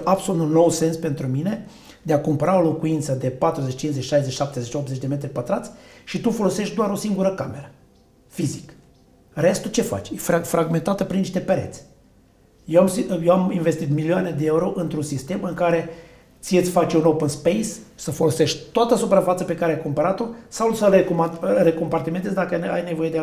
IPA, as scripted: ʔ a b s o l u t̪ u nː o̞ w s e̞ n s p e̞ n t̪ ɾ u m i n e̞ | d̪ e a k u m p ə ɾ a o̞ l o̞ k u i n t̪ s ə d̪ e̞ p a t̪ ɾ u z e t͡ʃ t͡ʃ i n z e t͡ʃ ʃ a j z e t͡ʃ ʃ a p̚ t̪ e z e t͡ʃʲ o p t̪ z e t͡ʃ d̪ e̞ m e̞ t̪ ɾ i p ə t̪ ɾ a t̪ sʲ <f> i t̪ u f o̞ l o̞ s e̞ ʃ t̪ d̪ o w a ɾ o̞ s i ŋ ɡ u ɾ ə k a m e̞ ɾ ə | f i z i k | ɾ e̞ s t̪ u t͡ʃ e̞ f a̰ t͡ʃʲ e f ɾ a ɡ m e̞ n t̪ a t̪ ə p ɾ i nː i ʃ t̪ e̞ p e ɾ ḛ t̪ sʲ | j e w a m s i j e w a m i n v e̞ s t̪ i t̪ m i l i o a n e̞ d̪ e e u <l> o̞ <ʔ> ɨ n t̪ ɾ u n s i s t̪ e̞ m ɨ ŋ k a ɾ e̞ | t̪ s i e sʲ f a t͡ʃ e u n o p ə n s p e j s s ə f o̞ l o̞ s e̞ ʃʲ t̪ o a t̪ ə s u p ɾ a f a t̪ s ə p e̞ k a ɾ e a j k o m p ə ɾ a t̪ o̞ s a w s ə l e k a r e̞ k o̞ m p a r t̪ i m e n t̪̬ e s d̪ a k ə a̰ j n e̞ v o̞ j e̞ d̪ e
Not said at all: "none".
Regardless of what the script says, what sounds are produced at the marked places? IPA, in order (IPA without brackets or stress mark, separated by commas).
ʃ, ɾ, ʔ